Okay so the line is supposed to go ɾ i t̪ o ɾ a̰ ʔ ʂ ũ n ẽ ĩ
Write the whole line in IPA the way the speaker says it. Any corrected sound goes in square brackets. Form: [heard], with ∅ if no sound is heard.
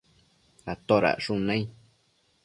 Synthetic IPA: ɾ [a] t̪ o ɾ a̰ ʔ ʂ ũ n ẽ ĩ